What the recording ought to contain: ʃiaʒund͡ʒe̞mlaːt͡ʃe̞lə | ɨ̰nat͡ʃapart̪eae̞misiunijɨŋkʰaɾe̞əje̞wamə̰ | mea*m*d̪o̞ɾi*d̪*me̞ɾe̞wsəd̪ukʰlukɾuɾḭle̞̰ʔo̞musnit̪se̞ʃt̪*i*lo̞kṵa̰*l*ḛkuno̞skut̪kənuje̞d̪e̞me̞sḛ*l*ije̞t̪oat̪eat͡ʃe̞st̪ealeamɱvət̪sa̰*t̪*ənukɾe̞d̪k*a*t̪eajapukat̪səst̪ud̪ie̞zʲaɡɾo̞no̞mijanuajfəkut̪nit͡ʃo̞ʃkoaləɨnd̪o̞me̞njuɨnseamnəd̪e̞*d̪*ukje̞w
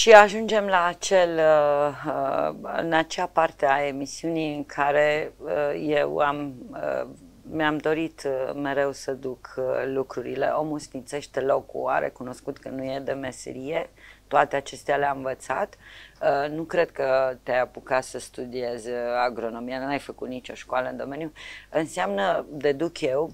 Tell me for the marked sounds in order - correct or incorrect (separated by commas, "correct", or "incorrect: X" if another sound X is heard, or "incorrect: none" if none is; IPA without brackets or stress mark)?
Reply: correct, incorrect: t̪, incorrect: e, incorrect: ɾ, incorrect: ɾ, correct, incorrect: ə, correct